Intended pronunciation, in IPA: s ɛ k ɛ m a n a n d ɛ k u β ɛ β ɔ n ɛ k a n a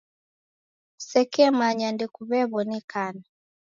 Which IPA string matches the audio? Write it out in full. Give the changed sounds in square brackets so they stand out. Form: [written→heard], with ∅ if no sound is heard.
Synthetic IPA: s ɛ k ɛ m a [n→ɲ] a n d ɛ k u β ɛ β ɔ n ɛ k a n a